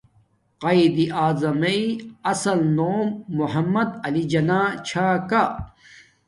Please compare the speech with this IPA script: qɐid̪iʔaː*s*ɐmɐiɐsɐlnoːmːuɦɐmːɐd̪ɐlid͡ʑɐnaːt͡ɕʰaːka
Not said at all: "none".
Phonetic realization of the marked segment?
z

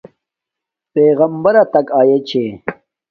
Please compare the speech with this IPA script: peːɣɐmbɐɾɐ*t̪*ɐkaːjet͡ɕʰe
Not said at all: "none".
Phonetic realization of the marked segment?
t̪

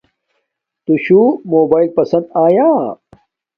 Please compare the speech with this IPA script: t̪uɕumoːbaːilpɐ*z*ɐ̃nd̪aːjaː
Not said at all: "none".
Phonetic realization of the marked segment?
s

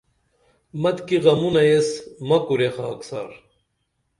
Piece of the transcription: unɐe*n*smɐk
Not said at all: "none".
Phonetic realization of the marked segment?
none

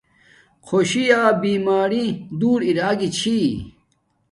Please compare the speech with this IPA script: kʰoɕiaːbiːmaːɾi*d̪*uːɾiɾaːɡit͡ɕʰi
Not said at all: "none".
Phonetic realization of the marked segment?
d̪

